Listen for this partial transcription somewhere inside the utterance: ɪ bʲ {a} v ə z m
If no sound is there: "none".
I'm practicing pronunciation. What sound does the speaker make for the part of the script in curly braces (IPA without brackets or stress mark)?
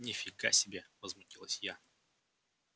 e